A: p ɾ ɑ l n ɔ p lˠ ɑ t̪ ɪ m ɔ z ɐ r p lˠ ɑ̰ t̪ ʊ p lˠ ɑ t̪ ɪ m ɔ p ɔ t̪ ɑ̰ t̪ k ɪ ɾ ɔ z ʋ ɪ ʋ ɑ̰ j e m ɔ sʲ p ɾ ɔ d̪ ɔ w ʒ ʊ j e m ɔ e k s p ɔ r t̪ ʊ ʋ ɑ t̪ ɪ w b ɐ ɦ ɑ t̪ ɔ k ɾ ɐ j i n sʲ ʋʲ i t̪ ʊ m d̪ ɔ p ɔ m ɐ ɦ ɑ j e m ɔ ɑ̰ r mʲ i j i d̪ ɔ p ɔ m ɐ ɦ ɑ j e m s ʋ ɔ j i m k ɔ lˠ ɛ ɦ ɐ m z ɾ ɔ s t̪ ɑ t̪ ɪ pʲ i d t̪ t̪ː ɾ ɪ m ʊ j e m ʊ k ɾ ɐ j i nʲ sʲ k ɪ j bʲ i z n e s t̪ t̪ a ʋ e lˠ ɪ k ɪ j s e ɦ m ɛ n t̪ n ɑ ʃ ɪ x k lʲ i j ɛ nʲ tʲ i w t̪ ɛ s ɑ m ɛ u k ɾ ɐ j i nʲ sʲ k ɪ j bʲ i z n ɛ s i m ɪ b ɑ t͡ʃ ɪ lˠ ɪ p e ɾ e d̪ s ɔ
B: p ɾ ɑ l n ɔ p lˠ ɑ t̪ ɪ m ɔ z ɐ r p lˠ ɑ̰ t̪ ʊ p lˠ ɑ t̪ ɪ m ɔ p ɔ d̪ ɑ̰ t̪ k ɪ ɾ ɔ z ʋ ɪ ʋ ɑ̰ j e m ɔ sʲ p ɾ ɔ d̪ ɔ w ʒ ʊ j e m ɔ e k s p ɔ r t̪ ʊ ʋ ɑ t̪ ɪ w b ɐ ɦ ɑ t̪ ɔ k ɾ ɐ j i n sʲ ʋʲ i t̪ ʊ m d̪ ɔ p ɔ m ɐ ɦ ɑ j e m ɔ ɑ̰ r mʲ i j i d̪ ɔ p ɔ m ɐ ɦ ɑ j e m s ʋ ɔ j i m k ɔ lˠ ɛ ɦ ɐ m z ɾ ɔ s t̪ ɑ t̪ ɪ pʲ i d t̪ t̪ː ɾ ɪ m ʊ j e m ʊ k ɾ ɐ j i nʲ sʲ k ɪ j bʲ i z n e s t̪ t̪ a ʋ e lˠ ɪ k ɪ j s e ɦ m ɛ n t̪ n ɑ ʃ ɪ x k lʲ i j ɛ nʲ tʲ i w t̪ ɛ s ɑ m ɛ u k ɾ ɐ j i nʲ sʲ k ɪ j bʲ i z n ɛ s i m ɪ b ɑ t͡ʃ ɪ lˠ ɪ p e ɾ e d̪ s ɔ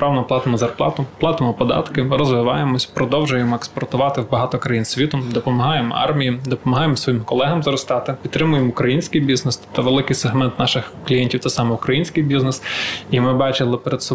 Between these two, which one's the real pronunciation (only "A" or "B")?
B